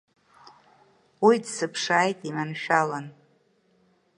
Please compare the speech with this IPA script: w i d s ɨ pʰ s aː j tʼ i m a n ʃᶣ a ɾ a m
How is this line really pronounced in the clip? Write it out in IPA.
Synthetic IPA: w i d s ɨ pʰ ʂ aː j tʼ i m a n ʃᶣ a l a n